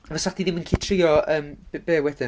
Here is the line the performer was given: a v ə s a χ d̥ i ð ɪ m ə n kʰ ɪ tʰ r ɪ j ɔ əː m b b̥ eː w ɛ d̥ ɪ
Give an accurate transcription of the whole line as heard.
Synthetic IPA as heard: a v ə s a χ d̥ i ð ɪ m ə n kʰ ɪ tʰ r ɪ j ɔ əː m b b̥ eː w ɛ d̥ ɪ